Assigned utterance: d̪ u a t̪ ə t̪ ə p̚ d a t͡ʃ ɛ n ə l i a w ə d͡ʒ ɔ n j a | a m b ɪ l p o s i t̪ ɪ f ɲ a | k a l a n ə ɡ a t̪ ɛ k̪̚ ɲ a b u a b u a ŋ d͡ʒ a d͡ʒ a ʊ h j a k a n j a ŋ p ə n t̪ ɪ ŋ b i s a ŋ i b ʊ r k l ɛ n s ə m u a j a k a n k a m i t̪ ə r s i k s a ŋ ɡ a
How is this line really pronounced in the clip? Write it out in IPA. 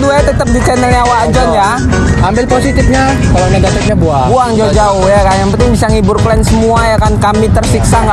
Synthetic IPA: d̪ u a t̪ ə t̪ ə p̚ d i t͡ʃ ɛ n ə l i a w a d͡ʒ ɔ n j a | a m b ɪ l p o s i t̪ ɪ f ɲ a | k a l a n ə ɡ a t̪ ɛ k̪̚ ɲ a b u a b u a ŋ d͡ʒ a d͡ʒ a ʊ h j a k a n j a ŋ p ə n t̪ ɪ ŋ b i s a ŋ i b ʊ r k l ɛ n s ə m u a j a k a n k a m i t̪ ə r s i k s a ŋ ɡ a